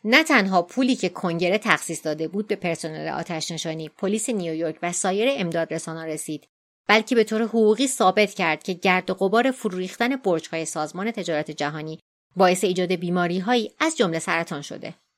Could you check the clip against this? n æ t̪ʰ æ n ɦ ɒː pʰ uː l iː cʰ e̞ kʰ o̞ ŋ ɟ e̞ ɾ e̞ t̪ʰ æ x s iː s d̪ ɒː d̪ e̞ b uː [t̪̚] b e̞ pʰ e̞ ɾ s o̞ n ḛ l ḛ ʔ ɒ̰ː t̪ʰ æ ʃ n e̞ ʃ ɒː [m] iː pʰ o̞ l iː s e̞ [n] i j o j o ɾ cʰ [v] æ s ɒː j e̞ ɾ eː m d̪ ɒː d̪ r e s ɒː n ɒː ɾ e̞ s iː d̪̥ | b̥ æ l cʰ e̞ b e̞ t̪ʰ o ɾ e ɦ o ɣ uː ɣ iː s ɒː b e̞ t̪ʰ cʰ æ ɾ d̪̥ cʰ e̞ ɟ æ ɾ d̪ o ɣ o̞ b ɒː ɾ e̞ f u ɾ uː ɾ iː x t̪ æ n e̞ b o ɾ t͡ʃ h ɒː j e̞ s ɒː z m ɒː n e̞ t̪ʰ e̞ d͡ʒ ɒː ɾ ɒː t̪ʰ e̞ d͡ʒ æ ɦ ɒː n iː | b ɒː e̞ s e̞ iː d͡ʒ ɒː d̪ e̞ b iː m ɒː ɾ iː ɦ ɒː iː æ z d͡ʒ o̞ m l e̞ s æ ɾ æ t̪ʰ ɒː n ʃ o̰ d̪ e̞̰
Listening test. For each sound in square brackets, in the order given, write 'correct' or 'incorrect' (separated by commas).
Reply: incorrect, incorrect, correct, correct